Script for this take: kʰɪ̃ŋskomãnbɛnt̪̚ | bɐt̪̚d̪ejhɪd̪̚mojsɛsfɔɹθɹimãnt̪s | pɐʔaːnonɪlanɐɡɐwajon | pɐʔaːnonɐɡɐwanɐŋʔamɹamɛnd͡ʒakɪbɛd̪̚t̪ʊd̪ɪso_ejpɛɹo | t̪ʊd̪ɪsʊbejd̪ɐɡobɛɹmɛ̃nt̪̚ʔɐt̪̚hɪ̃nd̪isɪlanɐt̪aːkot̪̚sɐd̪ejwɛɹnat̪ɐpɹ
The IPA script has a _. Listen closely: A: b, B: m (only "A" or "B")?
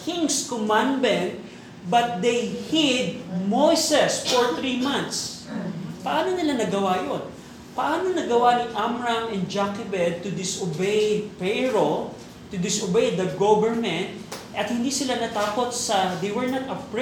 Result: A